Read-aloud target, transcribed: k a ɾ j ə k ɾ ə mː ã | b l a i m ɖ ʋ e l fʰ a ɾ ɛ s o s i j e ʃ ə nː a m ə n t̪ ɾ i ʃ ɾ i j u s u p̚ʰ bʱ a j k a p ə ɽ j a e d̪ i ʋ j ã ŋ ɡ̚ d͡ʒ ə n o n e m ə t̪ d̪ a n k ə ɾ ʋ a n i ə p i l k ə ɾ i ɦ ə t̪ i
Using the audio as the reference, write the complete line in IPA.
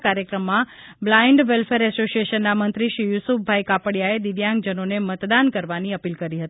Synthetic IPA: k a ɾ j ə k ɾ ə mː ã | b l a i ɳ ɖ ʋ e l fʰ e ɾ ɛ s o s i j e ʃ ə nː a m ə n t̪ ɾ i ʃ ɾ i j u s u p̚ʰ bʱ a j k a p ə ɽ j a e d̪ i ʋ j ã ŋ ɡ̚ d͡ʒ ə n o n e m ə t̪ d̪ a n k ə ɾ ʋ a n i ə p i l k ə ɾ i ɦ ə t̪ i